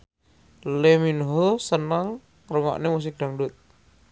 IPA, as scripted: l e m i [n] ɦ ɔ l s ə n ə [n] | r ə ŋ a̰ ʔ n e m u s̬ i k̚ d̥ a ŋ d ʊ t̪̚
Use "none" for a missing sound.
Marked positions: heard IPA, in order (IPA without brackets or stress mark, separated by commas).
n, ŋ